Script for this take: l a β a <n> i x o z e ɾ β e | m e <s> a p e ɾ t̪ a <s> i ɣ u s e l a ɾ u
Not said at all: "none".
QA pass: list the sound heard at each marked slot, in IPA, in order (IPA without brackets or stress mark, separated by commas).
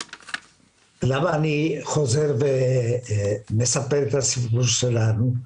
n, s, s